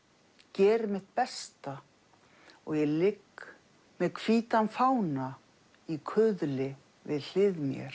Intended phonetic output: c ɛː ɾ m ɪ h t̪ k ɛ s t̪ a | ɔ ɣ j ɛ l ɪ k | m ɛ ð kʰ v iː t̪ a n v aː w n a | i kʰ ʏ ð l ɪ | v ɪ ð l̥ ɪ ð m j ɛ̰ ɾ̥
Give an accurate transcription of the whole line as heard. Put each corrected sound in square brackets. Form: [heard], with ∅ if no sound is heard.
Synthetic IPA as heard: c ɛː ɾ m ɪ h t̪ [p] ɛ s t̪ a | ɔ ɣ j ɛ l ɪ k | m ɛ ð kʰ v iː t̪ a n [f] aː w n a | i kʰ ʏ ð l ɪ | v ɪ ð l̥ ɪ ð m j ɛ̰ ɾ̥